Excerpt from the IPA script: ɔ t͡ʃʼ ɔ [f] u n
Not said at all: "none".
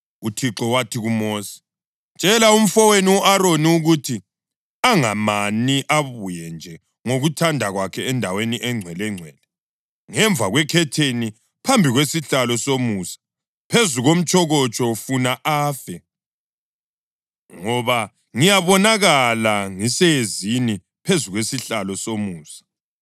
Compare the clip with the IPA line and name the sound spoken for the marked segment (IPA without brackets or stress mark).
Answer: f